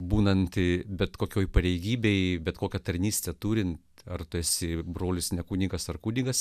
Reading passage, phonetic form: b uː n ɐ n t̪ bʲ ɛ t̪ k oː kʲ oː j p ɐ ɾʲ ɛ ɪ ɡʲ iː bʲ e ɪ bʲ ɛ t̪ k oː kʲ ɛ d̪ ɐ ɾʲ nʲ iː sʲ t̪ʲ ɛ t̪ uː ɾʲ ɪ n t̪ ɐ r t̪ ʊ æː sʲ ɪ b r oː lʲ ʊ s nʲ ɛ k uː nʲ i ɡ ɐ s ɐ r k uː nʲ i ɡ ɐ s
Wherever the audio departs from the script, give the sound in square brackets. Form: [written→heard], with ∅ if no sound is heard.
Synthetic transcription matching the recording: b uː n ɐ n t̪ bʲ ɛ t̪ k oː kʲ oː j p ɐ ɾʲ ɛ ɪ ɡʲ iː bʲ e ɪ bʲ ɛ t̪ k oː kʲ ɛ [d̪→t̪] ɐ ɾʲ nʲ iː sʲ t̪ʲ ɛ t̪ uː ɾʲ ɪ n t̪ ɐ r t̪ ʊ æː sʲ ɪ b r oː lʲ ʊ s nʲ ɛ k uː nʲ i ɡ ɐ s ɐ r k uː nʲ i ɡ ɐ s